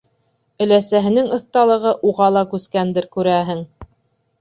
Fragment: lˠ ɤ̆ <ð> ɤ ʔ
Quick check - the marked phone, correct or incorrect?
incorrect